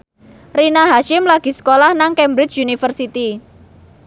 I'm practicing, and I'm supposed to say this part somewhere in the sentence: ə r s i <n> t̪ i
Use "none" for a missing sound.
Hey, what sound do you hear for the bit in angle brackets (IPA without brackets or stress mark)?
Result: none